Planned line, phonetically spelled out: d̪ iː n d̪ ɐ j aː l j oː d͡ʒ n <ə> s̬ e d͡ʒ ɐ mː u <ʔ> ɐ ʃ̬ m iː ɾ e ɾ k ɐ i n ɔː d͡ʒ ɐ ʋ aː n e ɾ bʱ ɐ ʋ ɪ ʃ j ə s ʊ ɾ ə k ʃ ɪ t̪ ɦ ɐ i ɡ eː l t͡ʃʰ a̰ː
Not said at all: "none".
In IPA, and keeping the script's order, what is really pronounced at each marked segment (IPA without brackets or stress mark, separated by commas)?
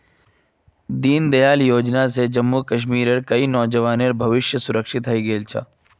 a, k